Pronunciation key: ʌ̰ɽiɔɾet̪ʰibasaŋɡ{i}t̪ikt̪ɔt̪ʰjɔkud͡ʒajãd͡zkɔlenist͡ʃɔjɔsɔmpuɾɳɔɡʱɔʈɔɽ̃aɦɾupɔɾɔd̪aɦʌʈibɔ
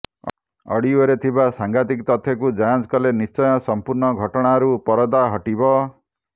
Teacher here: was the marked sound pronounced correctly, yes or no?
no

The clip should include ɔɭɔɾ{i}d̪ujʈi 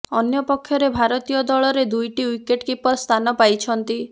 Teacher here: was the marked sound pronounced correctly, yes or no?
no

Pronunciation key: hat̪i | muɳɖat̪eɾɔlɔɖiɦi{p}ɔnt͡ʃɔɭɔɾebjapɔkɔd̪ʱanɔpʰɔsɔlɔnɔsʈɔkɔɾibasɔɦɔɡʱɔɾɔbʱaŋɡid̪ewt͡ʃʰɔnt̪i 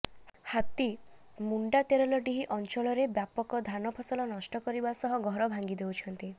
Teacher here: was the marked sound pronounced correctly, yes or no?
no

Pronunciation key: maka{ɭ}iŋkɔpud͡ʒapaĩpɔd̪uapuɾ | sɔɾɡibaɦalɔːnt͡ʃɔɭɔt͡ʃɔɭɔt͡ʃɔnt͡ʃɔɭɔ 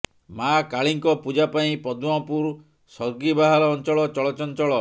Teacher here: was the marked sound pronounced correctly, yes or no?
yes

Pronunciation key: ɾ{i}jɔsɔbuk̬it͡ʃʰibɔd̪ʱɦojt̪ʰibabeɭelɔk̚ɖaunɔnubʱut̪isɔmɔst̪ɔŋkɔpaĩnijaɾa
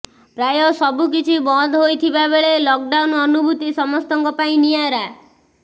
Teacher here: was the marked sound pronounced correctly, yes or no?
no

